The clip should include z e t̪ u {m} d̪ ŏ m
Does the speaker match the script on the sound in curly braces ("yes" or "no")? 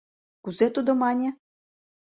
no